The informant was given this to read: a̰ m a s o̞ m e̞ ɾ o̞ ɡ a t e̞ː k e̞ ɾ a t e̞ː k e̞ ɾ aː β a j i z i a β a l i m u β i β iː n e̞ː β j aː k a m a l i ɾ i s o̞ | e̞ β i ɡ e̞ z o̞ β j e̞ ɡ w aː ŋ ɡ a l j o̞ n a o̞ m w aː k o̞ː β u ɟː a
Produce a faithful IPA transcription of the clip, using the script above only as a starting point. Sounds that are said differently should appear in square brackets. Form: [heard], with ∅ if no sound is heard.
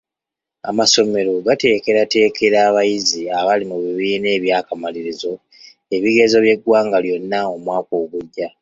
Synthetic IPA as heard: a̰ m a s o̞ m e̞ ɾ o̞ ɡ a t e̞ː k e̞ ɾ a t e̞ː k e̞ ɾ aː β a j i z i a β a l i m u β i β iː n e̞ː β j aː k a m a l i ɾ i [z] o̞ | e̞ β i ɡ e̞ z o̞ β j e̞ ɡ w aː ŋ ɡ a l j o̞ [nː] a o̞ m w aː k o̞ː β u ɟː a